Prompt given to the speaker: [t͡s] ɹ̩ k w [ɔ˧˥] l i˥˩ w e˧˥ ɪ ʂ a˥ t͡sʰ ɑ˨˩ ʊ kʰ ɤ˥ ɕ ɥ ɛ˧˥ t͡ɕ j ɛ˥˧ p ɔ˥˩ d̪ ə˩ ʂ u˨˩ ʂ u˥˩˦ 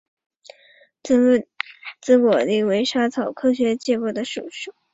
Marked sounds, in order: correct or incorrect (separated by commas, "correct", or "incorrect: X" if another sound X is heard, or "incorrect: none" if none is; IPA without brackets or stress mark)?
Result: correct, incorrect: ɔ˨˩